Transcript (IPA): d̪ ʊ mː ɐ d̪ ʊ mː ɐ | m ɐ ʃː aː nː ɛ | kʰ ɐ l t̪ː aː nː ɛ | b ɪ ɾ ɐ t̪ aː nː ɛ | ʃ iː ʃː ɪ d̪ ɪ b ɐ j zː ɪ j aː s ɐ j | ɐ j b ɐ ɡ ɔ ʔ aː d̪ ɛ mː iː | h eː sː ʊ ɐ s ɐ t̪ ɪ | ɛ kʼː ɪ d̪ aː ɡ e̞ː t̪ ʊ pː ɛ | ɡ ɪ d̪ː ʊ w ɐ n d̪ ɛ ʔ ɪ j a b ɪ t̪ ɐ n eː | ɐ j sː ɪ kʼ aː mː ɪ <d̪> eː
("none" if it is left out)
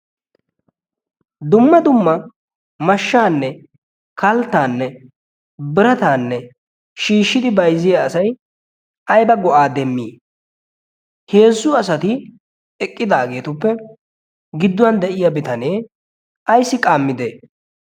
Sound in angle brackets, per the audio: d̪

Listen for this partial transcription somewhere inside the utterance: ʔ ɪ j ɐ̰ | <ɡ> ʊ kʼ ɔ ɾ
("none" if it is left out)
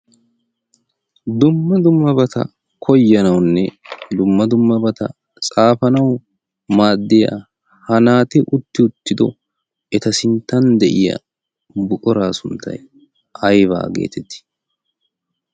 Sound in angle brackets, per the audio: b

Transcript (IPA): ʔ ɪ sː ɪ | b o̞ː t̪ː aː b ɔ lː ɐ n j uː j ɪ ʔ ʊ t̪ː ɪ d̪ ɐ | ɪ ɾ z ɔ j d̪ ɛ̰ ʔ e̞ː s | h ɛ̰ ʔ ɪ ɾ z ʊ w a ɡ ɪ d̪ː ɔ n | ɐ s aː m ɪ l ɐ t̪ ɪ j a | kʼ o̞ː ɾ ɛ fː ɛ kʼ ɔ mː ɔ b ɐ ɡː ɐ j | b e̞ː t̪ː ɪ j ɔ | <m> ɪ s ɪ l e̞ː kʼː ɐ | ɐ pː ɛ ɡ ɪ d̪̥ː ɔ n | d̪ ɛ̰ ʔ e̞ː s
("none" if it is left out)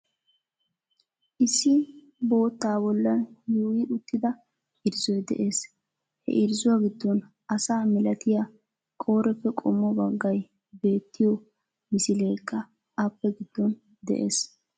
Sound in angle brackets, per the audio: m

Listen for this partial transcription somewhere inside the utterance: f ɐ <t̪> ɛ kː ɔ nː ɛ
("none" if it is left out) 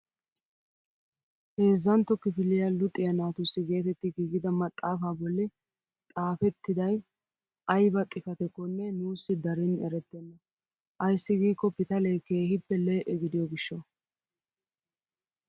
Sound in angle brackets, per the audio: t̪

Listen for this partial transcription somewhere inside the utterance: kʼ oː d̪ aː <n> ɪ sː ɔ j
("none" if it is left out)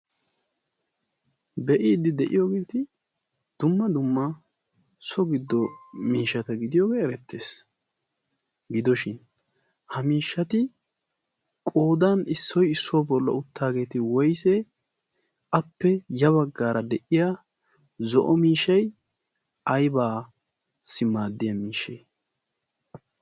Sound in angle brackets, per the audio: n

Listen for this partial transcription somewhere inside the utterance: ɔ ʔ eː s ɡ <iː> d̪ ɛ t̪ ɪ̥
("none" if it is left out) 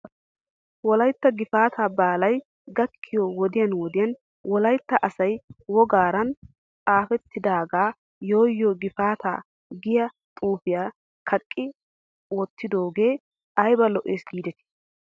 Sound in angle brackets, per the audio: iː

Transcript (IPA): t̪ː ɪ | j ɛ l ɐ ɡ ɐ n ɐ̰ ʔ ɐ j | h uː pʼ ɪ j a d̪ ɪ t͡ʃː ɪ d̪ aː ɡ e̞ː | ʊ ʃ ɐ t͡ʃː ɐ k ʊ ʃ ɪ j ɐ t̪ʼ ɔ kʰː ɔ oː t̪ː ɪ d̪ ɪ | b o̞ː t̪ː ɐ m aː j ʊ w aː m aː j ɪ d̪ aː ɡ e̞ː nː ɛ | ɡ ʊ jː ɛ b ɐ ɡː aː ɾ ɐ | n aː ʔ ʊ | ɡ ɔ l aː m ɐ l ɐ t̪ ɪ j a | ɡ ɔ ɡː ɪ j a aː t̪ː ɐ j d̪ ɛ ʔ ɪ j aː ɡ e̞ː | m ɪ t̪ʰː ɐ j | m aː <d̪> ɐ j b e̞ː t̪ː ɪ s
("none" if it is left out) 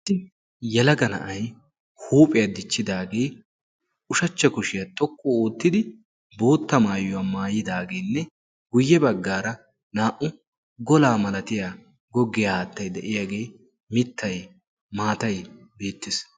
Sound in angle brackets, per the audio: t̪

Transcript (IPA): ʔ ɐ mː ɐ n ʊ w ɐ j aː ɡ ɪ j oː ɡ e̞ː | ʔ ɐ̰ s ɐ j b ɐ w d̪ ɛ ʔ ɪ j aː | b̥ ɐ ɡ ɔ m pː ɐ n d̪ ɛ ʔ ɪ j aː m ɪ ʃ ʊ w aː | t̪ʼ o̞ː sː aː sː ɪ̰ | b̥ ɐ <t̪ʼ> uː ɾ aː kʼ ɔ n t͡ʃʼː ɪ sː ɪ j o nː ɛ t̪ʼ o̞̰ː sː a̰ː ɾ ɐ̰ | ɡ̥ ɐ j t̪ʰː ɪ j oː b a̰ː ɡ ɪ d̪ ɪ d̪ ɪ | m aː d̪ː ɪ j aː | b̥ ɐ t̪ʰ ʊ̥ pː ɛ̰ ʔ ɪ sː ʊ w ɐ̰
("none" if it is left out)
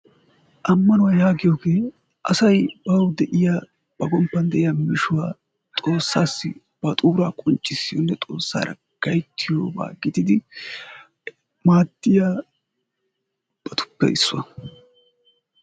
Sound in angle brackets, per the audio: t̪ʼ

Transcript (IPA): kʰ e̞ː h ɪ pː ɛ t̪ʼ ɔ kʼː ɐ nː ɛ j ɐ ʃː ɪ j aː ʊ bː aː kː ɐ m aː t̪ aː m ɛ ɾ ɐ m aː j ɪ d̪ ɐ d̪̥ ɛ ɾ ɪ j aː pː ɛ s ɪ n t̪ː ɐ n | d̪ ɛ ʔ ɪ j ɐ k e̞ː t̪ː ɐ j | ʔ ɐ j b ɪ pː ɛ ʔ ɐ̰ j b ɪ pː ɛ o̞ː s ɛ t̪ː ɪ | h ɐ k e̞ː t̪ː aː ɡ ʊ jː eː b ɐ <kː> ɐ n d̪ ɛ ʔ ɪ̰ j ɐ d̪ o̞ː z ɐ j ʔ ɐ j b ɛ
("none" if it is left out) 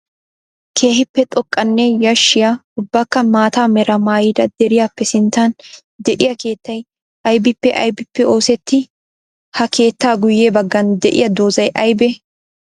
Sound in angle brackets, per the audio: ɡː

